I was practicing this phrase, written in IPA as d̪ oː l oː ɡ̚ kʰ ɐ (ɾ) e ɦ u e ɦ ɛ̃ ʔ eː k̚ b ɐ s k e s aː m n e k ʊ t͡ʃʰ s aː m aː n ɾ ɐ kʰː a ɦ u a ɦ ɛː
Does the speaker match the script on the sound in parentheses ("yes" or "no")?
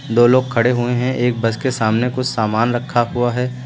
no